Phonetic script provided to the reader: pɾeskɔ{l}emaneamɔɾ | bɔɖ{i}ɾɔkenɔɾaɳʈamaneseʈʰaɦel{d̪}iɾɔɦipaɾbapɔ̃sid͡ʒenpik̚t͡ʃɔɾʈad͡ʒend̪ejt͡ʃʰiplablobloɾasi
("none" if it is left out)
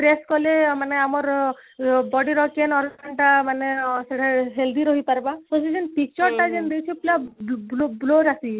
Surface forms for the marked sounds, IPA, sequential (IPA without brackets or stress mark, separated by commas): l, i, d̪